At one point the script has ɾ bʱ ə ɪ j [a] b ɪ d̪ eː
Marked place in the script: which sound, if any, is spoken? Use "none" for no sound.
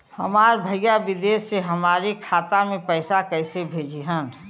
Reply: a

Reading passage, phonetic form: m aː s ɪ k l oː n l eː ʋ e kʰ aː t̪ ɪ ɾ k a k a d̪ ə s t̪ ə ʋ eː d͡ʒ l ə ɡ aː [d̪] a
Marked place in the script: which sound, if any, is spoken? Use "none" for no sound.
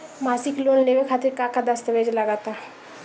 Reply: t̪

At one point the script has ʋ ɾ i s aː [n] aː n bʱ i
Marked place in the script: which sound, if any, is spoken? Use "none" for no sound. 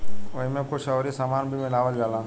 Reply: m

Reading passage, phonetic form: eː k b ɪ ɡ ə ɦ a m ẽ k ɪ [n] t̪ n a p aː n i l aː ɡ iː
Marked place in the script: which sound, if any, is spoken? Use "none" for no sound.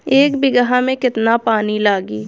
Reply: none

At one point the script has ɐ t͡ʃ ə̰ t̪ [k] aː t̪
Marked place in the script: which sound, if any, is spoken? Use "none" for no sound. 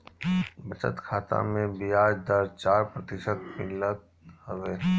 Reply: kʰ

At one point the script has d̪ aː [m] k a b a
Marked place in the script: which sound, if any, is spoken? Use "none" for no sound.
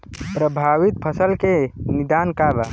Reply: n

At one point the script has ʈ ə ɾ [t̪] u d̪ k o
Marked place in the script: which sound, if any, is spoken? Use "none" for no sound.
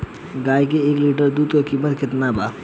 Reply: d̪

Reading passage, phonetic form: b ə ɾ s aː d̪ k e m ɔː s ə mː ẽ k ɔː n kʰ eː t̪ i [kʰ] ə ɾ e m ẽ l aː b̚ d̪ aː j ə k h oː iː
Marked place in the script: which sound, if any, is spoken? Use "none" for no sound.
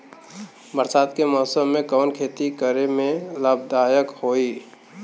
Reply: k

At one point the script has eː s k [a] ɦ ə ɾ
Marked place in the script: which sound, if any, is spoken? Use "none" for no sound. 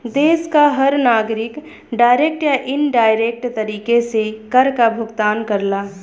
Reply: a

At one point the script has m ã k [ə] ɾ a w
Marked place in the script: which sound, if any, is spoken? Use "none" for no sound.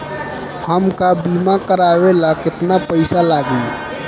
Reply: ə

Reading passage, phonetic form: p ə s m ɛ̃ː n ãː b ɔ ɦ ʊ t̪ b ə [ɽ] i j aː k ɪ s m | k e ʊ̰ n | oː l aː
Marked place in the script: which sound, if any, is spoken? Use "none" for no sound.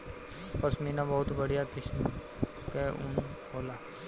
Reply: ɽ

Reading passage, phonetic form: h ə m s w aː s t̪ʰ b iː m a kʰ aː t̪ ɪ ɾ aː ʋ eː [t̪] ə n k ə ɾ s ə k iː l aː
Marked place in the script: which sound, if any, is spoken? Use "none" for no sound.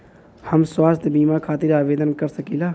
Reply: d̪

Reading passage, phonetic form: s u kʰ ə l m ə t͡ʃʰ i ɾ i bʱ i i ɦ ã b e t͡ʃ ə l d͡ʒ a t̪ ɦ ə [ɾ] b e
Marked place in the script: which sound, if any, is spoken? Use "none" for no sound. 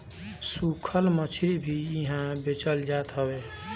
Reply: none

